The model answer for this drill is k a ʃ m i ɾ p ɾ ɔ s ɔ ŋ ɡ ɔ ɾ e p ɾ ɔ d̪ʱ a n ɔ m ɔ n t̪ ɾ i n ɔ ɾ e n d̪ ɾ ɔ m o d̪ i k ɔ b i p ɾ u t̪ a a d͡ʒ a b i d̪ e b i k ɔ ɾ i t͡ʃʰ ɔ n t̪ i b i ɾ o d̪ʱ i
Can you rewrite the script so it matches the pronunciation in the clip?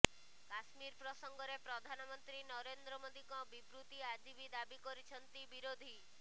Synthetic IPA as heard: k a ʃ m i ɾ p ɾ ɔ s ɔ ŋ ɡ ɔ ɾ e p ɾ ɔ d̪ʱ a n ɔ m ɔ n t̪ ɾ i n ɔ ɾ e n d̪ ɾ ɔ m o d̪ i k ɔ b i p ɾ u t̪ i a d͡ʒ i b i d̪ a b i k ɔ ɾ i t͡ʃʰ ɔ n t̪ i b i ɾ o d̪ʱ i